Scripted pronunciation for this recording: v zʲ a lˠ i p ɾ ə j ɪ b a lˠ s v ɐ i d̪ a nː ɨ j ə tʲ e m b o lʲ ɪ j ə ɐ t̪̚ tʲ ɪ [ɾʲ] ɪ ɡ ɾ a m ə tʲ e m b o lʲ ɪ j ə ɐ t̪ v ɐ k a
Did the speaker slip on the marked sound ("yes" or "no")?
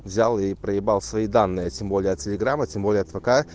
yes